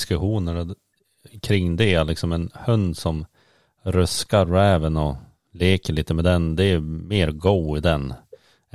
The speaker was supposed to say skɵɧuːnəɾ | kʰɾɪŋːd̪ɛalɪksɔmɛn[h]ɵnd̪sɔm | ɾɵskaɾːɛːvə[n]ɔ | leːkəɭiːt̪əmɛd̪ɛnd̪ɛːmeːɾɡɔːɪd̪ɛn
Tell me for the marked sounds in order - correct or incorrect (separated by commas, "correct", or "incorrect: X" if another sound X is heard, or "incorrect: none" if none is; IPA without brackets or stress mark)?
correct, correct